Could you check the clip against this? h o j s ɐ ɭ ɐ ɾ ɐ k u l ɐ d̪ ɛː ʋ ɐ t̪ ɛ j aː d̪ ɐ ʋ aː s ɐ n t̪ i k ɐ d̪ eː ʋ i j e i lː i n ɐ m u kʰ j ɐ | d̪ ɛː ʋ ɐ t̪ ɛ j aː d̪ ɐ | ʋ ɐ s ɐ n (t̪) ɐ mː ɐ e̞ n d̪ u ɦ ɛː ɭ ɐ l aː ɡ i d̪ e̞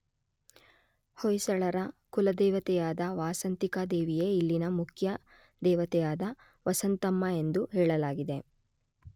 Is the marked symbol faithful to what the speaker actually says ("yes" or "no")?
yes